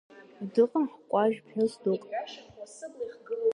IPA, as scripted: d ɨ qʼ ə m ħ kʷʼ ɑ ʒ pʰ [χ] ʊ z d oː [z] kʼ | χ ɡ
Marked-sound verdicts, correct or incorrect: incorrect, incorrect

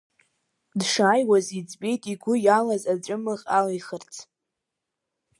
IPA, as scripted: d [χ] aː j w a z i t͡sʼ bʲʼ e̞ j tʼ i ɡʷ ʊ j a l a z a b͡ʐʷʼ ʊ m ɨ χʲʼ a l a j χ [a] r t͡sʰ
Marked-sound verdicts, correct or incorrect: incorrect, incorrect

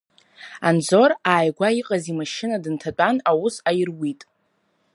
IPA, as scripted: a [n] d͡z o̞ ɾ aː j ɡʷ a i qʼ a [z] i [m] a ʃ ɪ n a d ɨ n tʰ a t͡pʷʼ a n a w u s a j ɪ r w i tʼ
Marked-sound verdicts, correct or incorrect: correct, correct, correct

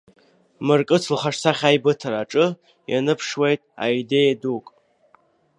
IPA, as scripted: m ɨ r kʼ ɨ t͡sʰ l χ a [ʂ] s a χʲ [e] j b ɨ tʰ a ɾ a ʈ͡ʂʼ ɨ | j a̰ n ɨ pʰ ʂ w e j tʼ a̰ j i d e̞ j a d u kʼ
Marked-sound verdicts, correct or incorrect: correct, incorrect

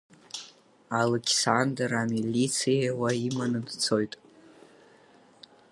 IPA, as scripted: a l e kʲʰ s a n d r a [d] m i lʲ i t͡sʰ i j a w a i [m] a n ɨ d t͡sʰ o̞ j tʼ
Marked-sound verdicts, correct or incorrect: incorrect, correct

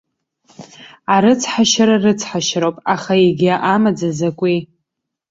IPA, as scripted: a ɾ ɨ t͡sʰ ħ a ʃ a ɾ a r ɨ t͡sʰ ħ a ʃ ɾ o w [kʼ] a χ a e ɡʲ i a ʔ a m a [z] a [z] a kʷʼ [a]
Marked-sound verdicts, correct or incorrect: incorrect, incorrect, correct, incorrect

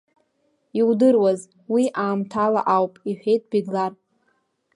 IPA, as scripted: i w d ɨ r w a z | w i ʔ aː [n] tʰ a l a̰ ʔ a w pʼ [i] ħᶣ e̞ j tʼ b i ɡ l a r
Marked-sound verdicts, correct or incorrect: incorrect, correct

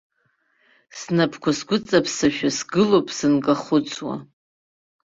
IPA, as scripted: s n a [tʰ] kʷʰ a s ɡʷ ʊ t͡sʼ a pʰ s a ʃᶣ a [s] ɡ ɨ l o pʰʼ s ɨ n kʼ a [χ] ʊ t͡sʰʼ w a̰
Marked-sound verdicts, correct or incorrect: incorrect, correct, correct

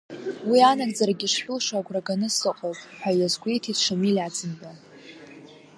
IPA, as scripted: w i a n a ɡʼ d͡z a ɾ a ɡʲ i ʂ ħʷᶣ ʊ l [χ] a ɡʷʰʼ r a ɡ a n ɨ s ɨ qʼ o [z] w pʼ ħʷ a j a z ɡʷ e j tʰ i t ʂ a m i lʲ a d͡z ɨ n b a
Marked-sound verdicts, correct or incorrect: incorrect, incorrect

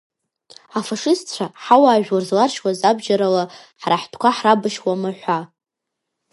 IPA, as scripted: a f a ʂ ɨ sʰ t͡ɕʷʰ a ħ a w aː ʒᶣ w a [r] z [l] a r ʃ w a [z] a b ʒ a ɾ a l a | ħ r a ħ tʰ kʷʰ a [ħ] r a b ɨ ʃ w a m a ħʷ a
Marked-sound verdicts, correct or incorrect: correct, correct, correct, correct

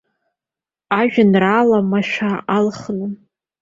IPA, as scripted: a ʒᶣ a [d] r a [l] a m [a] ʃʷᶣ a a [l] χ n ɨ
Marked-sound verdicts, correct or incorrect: incorrect, correct, correct, correct

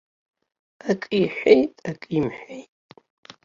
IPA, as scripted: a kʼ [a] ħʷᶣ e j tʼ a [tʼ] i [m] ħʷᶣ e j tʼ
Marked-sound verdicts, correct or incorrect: incorrect, incorrect, correct

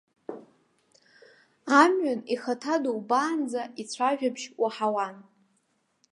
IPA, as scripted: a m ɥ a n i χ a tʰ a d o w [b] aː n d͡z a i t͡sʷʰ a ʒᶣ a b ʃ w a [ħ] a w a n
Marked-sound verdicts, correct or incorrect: correct, correct

